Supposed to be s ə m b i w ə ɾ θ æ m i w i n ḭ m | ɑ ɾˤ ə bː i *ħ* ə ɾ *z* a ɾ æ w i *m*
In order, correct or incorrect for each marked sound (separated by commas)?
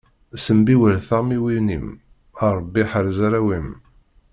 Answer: correct, correct, correct